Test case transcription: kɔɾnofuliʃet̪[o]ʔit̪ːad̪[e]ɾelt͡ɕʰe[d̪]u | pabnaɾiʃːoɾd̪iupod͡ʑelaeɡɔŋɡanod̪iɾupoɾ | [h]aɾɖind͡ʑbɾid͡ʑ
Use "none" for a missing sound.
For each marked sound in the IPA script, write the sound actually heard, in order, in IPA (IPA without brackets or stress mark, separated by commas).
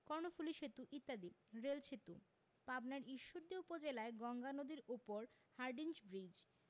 u, i, t̪, h